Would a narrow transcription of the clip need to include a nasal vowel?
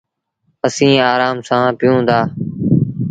yes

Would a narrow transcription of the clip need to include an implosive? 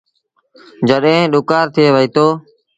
yes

